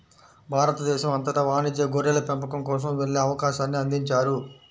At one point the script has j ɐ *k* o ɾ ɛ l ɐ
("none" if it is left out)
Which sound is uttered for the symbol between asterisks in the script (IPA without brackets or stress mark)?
ɡ